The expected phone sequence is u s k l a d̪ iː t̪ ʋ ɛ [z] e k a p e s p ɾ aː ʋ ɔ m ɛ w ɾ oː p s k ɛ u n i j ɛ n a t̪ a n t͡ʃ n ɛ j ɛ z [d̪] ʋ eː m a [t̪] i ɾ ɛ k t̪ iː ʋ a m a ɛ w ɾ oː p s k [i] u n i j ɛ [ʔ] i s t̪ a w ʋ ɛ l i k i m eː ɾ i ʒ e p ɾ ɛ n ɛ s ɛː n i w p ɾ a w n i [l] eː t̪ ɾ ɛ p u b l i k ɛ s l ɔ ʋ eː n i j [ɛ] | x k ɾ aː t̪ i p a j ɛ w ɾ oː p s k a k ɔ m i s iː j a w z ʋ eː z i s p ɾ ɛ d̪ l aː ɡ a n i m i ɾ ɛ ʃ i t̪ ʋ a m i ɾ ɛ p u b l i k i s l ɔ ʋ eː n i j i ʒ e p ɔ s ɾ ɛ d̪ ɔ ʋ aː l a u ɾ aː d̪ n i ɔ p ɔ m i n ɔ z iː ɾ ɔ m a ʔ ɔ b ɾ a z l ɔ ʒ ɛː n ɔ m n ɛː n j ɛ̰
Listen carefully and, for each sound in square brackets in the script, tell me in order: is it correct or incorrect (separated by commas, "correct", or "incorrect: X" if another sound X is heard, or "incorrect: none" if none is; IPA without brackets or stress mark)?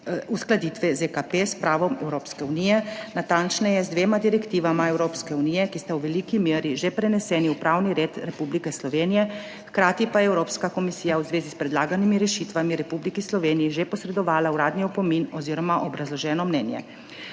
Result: correct, correct, incorrect: d̪, incorrect: ɛ, incorrect: k, incorrect: ɾ, correct